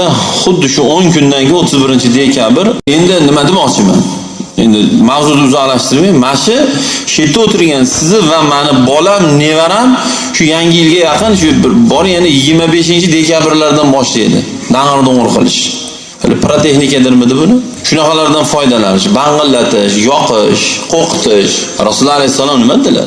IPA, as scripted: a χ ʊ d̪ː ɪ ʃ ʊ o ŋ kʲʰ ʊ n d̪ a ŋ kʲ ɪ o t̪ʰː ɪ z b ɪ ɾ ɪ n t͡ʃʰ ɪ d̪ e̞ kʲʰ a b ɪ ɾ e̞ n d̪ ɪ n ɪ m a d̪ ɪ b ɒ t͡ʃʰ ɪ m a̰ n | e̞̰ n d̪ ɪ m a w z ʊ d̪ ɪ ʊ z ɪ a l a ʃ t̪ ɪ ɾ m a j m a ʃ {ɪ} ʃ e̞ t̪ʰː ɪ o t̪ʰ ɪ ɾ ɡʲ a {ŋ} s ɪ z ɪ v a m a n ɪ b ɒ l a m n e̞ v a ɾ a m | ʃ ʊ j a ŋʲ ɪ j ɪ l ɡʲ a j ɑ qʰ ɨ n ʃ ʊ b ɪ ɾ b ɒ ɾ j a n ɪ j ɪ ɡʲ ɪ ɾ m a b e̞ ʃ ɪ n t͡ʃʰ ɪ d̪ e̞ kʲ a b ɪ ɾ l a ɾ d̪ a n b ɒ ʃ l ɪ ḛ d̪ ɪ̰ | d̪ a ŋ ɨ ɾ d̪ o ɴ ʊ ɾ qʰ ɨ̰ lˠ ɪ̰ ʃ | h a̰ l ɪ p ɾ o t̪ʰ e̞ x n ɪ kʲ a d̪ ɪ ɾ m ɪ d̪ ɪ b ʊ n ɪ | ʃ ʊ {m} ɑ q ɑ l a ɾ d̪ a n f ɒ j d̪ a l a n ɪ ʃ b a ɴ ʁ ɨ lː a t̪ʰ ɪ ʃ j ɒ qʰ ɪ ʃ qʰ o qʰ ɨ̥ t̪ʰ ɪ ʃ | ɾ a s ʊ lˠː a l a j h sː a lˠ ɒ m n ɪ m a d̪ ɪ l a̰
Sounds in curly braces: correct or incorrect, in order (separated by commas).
correct, incorrect, incorrect